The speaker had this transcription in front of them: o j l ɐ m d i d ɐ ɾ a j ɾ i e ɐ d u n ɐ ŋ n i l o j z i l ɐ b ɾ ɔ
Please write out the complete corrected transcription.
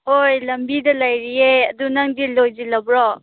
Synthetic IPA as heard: o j l ɐ m b i d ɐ l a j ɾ i e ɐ d u n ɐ ŋ d i l o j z i l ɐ b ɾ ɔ